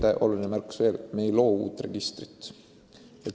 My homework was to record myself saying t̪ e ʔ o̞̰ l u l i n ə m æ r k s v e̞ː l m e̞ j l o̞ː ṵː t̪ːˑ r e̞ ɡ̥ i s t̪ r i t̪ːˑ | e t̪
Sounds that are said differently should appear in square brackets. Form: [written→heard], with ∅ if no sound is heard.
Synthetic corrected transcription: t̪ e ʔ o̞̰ l u l i n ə m æ r k s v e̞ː l m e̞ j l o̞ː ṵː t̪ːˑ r e̞ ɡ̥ i s t̪ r i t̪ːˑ | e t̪